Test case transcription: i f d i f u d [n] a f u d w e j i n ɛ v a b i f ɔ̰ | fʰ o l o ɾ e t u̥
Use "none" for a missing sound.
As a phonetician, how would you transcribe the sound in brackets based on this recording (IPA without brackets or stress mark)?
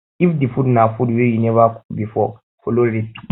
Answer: n